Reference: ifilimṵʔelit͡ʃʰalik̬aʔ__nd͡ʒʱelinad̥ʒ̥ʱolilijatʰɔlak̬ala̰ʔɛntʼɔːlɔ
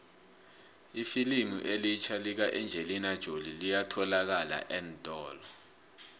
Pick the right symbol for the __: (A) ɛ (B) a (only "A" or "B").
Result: A